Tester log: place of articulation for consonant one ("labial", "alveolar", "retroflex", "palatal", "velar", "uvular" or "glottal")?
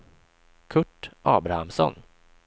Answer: velar